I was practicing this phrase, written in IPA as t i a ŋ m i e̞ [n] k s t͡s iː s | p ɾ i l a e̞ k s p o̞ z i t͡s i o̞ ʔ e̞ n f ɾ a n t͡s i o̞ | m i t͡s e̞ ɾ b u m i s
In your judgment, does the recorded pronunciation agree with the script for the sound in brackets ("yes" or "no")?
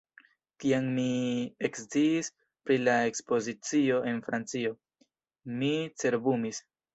no